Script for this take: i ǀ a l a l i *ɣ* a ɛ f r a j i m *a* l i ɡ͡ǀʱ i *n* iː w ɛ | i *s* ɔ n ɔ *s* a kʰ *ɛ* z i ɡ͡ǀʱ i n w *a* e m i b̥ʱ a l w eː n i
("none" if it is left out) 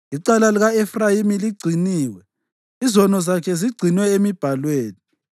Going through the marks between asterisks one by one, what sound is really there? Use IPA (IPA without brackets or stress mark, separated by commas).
ɣ, i, n, z, z, ɛ, ɛ